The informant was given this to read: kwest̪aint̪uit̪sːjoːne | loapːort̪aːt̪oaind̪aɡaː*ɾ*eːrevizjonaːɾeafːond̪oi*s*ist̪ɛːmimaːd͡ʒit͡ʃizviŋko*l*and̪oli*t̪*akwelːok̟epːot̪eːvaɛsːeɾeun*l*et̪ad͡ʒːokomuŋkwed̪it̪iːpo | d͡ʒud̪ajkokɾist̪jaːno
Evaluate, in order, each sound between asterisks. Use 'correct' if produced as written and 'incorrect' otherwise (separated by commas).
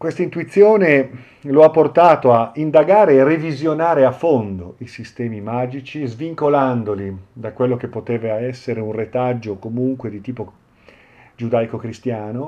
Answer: correct, correct, correct, incorrect, incorrect